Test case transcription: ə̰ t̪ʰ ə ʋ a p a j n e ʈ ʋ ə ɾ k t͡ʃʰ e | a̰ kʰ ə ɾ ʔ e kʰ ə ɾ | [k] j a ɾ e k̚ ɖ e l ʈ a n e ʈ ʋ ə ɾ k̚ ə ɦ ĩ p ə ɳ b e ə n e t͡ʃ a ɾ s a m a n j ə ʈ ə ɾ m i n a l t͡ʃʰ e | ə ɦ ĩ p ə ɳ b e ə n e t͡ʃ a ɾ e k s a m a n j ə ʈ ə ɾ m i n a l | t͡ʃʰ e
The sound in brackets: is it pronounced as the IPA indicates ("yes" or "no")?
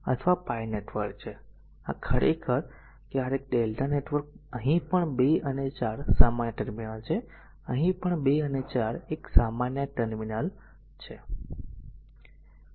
yes